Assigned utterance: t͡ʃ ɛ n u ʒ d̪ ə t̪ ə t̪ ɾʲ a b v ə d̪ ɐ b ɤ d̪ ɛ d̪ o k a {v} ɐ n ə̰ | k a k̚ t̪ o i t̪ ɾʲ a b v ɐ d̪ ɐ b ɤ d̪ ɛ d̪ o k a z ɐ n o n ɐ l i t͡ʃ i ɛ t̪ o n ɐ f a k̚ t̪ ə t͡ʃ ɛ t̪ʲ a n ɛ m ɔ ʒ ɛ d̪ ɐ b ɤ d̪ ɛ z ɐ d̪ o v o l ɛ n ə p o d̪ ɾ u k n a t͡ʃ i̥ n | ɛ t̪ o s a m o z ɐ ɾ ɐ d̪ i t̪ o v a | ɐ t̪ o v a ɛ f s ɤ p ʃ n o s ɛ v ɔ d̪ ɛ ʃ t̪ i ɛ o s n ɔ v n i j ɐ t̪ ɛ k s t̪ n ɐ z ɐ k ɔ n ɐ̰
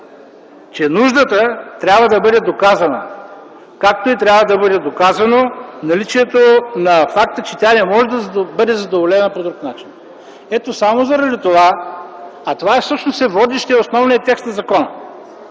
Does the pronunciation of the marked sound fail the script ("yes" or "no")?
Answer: yes